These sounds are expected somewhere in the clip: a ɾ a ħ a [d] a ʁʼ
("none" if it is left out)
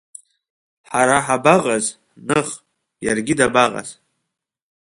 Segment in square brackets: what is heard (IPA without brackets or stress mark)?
b